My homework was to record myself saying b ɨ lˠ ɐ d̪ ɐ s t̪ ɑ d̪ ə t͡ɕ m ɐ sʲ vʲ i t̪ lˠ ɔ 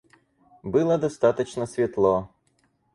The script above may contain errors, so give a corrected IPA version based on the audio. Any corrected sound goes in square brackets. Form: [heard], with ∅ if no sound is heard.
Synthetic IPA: b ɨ lˠ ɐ d̪ ɐ s t̪ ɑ [t̪] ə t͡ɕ [n] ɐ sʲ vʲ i t̪ lˠ ɔ